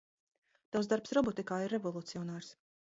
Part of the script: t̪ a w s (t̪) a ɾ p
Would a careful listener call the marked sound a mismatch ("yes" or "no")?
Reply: yes